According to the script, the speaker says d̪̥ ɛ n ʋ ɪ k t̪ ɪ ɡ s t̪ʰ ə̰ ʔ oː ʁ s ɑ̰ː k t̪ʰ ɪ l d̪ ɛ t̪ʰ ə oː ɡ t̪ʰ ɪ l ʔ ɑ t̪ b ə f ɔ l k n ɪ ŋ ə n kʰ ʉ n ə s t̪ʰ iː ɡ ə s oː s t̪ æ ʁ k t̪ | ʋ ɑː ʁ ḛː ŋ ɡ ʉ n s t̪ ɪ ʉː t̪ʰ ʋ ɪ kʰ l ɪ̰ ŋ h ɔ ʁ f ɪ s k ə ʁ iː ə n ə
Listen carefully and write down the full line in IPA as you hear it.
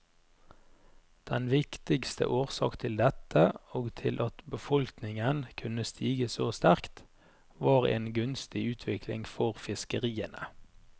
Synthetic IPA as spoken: d̪̥ ɛ n ʋ ɪ k t̪ ɪ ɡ s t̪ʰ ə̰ ʔ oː ʁ s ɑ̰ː k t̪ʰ ɪ l d̪ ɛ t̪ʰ ə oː ɡ t̪ʰ ɪ l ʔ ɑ t̪ b ə f ɔ l k n ɪ ŋ ə n kʰ ʉ n ə s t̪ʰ iː ɡ ə s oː s t̪ æ ʁ k t̪ | ʋ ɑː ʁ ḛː n ɡ ʉ n s t̪ ɪ ʉː t̪ʰ ʋ ɪ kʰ l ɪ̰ ŋ f ɔ ʁ f ɪ s k ə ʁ iː ə n ə